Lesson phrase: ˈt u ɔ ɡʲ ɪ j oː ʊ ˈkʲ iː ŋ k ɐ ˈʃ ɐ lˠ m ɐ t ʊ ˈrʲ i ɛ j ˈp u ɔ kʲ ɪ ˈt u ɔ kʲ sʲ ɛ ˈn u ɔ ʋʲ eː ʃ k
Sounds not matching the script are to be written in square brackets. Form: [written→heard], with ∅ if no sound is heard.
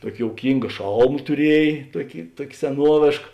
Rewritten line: ˈt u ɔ [ɡʲ→kʲ] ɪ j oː ʊ ˈkʲ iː ŋ [k→ɡ] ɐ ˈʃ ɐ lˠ m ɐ t ʊ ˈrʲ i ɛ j [ˈp→ˈt] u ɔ kʲ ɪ ˈt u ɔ kʲ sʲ ɛ ˈn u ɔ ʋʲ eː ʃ k